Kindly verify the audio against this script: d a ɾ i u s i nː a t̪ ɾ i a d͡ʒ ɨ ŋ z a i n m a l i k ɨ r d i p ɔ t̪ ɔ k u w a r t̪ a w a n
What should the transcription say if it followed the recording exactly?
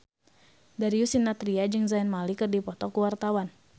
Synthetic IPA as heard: d a ɾ i u s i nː a t̪ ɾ i a d͡ʒ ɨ ŋ z a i n m a l i k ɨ r d i p ɔ t̪ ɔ k u w a r t̪ a w a n